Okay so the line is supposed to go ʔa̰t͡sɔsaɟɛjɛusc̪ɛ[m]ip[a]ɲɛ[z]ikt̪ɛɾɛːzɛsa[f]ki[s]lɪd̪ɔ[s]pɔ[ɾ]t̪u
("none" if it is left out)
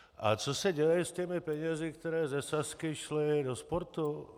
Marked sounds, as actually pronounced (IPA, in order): m, ɛ, z, s, ʃ, s, ɾ

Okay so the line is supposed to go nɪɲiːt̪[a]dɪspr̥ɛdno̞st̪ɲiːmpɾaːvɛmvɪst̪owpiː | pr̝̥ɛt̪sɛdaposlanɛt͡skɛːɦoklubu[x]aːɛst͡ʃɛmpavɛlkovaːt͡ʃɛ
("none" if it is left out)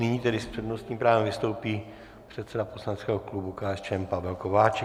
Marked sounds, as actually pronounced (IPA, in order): ɛ, k

